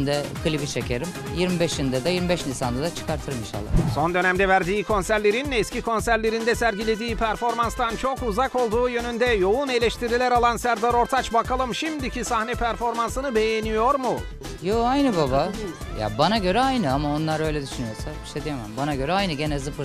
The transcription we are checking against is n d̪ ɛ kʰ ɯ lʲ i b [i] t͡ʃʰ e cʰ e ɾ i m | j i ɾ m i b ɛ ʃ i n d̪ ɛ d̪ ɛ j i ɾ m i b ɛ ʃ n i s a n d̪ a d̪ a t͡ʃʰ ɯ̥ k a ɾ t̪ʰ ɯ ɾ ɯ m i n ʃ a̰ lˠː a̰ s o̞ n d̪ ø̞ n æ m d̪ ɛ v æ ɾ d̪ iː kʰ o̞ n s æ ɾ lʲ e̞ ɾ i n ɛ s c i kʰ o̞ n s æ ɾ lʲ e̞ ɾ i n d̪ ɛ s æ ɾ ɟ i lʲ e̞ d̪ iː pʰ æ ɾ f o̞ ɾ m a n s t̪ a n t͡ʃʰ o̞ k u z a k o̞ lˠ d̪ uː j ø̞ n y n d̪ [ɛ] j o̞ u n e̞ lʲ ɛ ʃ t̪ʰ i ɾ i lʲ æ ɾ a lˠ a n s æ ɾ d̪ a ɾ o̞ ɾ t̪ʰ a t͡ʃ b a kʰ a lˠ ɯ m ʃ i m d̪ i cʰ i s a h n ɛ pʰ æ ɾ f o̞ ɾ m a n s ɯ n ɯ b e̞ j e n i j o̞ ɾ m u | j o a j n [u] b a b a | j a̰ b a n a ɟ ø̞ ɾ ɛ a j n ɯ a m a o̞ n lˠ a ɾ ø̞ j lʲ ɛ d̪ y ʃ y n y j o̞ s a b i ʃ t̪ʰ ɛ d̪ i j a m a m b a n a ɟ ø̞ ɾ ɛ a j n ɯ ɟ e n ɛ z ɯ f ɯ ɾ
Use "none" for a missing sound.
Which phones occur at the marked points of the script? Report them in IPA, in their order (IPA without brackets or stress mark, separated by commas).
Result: i, ɛ, ɯ